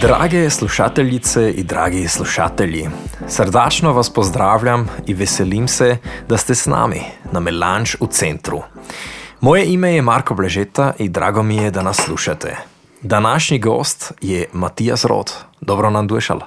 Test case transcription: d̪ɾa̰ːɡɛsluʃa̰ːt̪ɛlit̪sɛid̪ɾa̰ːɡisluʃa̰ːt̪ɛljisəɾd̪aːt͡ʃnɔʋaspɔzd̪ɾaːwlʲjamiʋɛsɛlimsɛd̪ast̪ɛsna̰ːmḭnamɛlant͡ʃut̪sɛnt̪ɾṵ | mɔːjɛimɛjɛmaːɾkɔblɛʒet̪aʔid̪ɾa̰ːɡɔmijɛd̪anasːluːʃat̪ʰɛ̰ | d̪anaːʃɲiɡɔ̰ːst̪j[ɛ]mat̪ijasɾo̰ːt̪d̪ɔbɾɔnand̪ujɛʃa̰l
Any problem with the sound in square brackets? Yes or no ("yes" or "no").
no